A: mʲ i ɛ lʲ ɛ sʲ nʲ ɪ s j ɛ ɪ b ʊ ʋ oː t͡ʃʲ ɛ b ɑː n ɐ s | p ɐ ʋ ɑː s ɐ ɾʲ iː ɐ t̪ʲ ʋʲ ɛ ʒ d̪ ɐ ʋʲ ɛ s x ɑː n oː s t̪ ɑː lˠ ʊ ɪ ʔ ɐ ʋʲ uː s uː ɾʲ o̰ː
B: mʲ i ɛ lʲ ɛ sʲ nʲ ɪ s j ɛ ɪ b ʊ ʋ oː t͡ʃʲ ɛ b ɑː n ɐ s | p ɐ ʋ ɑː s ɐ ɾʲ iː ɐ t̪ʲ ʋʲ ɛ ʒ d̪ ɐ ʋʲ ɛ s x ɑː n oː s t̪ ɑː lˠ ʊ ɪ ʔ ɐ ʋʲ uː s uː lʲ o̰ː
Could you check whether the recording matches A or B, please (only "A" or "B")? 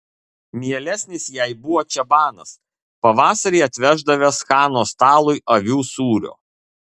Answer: A